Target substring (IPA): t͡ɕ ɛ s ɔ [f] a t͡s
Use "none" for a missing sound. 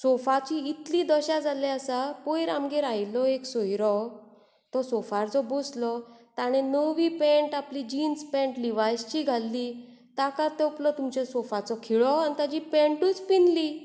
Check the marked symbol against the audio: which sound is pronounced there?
f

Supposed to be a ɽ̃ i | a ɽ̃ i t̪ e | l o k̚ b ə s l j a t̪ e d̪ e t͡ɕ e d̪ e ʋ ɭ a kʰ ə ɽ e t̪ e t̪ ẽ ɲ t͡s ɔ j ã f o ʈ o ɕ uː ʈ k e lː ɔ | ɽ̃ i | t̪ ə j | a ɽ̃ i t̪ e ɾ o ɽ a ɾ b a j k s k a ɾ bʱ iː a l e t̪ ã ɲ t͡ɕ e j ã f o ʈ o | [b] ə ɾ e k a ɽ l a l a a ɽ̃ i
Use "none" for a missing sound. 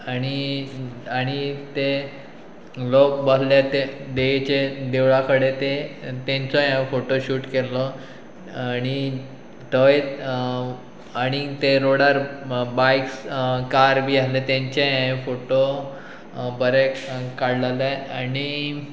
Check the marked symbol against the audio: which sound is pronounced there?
b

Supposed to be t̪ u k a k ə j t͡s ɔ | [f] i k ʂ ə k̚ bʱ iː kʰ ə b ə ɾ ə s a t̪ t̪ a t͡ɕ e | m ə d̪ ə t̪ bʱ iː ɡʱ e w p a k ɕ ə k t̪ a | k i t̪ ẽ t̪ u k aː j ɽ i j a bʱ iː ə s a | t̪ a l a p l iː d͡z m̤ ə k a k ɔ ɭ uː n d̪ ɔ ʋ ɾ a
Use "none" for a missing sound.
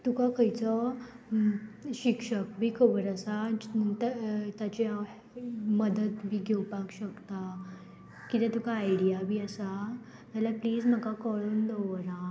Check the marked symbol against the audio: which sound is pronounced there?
ɕ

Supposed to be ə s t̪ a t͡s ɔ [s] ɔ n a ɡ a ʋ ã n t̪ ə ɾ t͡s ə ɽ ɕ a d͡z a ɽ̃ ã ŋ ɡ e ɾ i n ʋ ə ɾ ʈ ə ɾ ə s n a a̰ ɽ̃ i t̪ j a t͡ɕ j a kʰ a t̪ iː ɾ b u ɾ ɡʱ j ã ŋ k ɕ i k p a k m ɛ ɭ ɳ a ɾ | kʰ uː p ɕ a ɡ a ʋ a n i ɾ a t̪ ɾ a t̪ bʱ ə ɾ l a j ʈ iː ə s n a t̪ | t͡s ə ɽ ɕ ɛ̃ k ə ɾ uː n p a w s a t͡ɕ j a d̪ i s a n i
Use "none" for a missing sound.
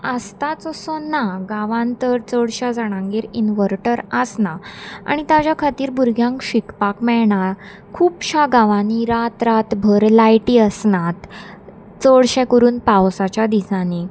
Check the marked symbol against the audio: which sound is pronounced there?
s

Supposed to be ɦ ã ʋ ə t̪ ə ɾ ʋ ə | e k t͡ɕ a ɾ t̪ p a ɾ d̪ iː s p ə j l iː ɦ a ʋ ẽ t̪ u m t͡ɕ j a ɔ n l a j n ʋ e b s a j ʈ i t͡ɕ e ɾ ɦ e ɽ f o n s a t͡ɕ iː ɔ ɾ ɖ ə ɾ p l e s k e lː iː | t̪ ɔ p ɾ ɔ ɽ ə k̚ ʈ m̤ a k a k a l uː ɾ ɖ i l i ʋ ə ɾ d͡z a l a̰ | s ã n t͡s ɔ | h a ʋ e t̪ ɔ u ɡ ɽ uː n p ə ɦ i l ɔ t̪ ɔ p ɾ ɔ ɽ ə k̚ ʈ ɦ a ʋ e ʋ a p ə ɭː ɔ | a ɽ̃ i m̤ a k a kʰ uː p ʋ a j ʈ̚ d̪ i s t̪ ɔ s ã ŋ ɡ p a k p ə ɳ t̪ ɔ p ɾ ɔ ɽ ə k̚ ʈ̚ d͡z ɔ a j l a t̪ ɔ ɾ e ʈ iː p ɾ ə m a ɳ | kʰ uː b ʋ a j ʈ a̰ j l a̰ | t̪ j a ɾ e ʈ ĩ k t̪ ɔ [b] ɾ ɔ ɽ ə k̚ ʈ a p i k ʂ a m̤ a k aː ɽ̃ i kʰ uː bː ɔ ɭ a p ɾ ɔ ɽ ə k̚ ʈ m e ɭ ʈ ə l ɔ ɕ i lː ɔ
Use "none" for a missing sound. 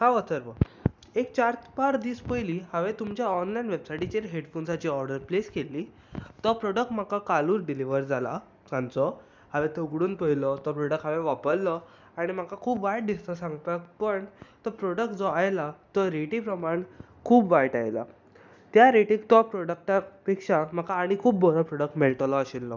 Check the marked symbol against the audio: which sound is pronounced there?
p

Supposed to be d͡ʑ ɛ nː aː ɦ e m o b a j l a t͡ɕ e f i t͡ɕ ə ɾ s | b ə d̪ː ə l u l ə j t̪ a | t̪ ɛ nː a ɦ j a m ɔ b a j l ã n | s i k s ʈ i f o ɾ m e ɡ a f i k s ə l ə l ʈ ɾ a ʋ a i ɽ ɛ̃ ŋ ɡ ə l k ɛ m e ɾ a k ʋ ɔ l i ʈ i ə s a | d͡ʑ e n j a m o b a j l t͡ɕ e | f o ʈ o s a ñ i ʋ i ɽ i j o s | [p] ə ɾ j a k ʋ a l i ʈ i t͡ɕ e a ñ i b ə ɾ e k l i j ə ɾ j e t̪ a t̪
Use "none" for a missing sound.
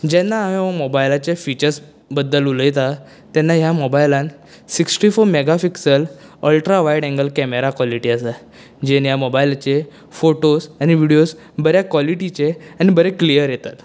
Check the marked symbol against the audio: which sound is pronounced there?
b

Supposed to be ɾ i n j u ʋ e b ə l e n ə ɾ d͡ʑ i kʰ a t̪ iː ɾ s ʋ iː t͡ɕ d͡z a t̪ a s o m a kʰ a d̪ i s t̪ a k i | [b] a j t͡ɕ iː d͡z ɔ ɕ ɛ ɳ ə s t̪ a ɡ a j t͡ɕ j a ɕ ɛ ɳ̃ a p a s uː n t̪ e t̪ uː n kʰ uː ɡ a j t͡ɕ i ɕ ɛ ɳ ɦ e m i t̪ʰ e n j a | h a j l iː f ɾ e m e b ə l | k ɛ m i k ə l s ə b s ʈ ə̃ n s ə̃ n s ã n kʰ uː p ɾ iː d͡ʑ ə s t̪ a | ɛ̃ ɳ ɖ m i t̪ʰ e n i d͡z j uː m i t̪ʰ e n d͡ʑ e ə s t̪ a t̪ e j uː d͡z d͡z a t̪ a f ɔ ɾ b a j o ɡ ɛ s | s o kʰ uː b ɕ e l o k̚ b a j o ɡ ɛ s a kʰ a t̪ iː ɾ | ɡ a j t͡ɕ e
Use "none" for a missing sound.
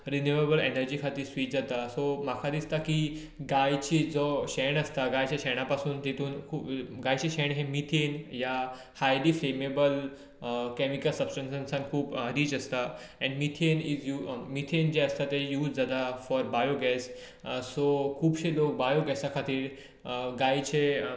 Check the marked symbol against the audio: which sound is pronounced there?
ɡ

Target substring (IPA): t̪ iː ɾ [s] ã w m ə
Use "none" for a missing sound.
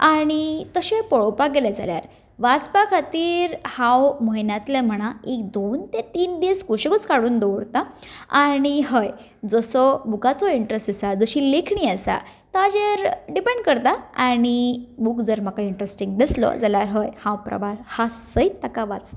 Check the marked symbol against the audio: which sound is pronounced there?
h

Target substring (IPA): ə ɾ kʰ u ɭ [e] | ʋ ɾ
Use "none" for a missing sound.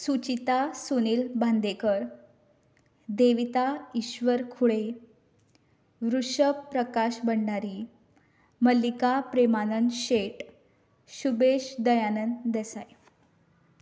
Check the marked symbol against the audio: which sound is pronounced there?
e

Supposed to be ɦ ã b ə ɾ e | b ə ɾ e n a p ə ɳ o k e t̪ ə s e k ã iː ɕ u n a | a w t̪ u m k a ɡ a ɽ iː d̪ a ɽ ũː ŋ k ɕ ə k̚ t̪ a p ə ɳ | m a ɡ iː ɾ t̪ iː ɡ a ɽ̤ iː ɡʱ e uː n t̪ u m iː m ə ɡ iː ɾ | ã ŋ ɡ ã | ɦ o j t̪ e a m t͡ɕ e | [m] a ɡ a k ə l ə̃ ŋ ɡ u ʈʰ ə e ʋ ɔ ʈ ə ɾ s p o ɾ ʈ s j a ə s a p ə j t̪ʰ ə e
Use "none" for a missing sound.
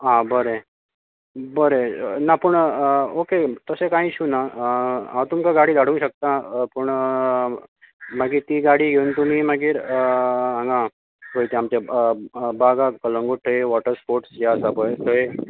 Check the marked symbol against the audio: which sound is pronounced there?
b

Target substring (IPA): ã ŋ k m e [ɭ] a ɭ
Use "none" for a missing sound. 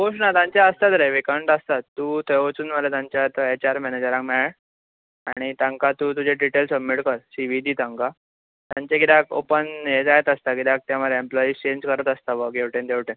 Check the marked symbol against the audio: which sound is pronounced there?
ɭ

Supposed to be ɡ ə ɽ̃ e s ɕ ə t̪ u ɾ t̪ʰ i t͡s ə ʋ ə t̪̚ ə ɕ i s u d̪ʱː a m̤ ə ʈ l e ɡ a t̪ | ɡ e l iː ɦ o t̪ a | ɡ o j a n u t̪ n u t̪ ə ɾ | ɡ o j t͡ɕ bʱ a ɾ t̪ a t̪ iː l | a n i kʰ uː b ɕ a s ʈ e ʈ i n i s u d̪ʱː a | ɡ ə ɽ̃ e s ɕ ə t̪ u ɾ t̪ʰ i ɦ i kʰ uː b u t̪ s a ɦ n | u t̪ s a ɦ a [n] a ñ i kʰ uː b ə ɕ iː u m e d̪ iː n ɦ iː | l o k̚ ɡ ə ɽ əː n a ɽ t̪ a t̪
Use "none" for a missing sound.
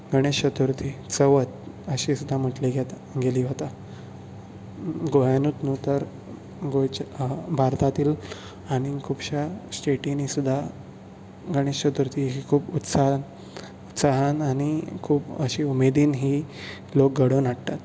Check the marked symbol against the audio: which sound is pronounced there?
n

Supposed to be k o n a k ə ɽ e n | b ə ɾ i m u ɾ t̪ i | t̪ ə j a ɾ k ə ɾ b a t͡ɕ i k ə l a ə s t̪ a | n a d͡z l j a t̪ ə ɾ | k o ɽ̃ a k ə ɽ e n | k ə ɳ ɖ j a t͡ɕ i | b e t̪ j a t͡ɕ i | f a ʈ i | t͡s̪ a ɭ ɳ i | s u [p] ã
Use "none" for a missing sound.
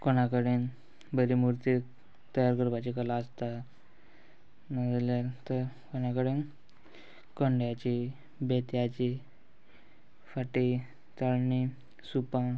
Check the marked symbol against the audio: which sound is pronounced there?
p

